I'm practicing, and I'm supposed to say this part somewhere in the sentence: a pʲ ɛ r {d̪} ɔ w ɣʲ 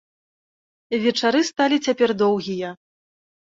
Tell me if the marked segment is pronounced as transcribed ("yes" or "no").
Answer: yes